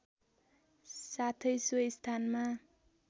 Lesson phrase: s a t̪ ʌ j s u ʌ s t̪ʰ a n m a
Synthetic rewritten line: s a t̪ʰ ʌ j s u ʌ s t̪ʰ a n m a